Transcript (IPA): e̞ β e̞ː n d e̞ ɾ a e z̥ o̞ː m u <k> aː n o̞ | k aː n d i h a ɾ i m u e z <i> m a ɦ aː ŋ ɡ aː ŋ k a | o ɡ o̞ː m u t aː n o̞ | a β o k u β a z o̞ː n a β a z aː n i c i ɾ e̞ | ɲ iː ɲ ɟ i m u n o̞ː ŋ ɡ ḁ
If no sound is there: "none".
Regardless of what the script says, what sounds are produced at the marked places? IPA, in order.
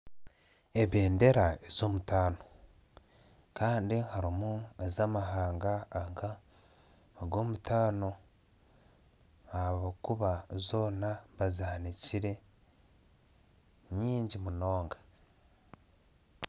t, a

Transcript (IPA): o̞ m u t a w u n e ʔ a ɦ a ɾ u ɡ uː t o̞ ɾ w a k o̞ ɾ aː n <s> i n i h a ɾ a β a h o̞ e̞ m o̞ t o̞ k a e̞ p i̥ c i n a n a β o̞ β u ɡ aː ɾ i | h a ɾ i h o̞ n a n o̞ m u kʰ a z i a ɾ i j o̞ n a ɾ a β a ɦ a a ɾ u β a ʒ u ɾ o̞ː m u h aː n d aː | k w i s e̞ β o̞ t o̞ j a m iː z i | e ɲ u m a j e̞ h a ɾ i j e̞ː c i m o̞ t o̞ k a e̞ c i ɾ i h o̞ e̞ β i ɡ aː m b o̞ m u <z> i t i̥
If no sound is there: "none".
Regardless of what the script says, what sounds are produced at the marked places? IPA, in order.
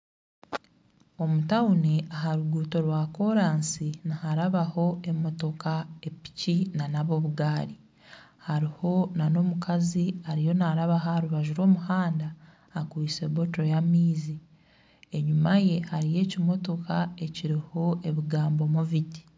s, v

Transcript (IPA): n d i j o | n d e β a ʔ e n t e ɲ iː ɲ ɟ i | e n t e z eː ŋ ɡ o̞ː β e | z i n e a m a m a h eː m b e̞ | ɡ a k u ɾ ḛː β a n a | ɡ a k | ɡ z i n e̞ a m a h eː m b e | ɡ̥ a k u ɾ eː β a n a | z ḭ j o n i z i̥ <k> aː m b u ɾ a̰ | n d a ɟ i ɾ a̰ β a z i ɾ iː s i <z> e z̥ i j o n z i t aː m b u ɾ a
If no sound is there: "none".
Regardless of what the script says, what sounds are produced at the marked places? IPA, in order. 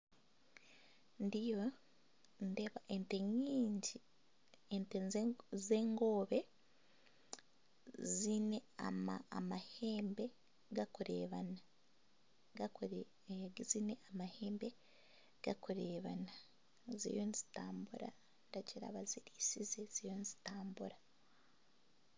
t, z

